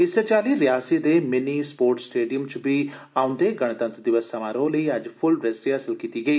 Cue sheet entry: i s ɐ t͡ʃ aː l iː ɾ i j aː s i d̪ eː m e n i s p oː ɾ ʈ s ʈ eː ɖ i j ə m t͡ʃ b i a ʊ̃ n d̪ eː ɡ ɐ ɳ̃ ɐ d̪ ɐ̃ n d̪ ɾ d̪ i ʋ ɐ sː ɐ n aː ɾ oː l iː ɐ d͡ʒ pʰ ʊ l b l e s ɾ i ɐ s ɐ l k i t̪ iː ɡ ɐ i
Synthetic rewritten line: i s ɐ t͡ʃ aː l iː ɾ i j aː s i d̪ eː m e n i s p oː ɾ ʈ s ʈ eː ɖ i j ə m t͡ʃ b i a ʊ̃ n d̪ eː ɡ ɐ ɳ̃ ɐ t̪ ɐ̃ n t̪ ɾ d̪ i ʋ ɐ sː ɐ m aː ɾ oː l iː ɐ d͡ʒ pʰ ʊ l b ɾ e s ɾ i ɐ s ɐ l k i t̪ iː ɡ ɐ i